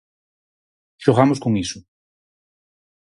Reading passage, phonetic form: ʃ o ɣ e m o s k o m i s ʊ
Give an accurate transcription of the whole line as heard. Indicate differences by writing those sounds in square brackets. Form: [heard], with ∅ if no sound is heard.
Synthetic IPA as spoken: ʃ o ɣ [a] m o s k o [ŋ] i s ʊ